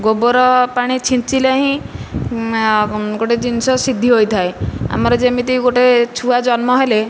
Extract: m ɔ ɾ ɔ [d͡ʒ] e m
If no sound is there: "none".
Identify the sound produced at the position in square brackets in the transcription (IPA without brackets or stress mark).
d͡ʒ